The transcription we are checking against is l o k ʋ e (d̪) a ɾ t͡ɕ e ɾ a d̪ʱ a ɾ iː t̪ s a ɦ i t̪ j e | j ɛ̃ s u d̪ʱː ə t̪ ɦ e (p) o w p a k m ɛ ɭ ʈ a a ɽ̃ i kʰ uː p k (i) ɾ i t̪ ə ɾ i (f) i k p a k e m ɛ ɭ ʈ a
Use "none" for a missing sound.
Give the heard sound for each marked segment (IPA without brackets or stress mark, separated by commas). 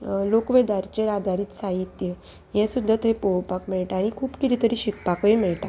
d̪, p, i, ɕ